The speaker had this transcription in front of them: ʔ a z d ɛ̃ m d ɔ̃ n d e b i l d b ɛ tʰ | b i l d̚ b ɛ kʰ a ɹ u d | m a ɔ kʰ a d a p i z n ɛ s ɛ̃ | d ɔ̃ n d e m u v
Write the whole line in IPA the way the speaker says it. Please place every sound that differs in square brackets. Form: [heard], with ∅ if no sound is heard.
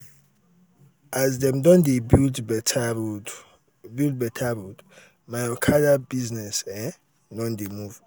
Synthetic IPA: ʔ a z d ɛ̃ m d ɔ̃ n d e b i l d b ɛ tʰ | b i l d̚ b ɛ [tʰ] a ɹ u d | m a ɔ kʰ a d a [b] i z n ɛ s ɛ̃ | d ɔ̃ n d e m u v